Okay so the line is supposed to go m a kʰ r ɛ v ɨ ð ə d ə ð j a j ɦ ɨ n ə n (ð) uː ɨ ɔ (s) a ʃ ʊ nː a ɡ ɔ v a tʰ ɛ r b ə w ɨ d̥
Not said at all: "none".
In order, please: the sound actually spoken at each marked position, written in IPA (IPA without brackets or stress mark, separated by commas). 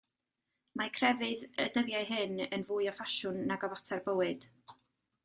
v, f